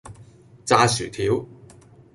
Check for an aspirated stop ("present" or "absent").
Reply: present